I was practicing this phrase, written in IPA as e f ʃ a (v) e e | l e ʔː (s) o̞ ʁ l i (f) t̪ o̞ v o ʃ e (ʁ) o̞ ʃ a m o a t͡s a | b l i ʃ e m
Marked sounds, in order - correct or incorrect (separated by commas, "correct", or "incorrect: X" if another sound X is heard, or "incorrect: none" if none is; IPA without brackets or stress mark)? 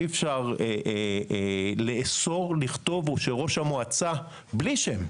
incorrect: ʁ, correct, incorrect: χ, correct